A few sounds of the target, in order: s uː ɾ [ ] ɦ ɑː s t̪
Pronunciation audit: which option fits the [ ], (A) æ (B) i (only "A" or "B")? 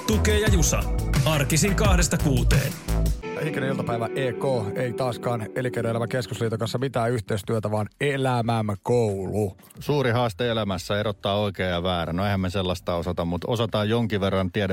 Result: B